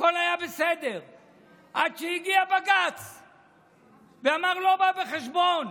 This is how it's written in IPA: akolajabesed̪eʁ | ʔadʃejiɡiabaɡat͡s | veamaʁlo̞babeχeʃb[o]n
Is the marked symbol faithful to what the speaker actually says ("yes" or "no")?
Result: yes